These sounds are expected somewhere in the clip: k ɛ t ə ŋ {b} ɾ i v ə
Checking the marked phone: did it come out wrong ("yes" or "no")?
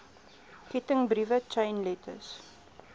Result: no